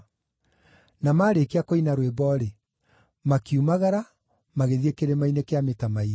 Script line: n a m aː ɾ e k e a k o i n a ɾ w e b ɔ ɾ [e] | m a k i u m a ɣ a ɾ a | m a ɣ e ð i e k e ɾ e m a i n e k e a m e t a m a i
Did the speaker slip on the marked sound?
no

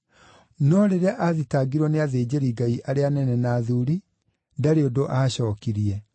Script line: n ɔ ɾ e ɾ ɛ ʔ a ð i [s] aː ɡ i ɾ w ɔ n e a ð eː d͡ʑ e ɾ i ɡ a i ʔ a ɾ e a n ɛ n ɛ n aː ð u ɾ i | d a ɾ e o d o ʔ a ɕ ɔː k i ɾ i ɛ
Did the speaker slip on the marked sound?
yes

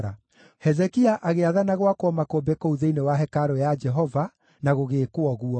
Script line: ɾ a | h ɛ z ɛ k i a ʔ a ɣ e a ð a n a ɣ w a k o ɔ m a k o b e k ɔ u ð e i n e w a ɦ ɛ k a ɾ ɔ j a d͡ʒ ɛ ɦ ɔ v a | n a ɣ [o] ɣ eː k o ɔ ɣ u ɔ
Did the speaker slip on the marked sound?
no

